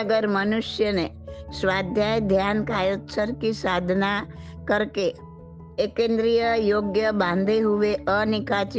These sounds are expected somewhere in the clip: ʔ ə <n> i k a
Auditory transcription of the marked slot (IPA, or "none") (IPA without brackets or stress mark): n